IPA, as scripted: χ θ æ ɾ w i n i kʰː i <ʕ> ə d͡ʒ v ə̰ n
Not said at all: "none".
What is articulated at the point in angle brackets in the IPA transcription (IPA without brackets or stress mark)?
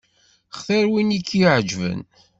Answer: ʕ